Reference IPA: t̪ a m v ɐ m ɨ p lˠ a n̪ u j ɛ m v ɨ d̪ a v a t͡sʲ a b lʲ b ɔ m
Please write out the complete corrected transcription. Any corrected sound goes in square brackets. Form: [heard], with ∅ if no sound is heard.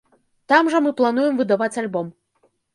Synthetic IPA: t̪ a m [ʐ] ɐ m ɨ p lˠ a n̪ u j ɛ m v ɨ d̪ a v a t͡sʲ a [∅] lʲ b ɔ m